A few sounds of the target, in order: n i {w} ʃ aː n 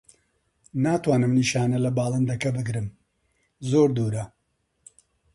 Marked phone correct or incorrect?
incorrect